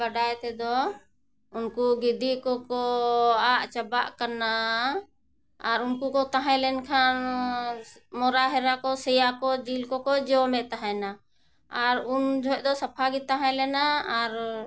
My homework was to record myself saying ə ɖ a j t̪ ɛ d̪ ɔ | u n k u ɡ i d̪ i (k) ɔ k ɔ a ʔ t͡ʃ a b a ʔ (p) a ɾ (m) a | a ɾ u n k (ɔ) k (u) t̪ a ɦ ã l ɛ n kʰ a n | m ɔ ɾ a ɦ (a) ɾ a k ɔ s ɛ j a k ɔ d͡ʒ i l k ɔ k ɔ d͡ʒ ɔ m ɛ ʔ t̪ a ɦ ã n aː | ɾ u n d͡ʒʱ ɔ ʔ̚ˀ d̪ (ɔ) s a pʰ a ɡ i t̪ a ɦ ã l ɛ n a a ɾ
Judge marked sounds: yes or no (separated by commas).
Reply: yes, no, no, no, no, no, yes